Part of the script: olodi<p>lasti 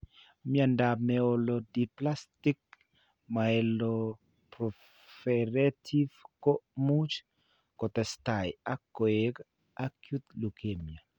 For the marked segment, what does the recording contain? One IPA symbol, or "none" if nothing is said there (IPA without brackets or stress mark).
p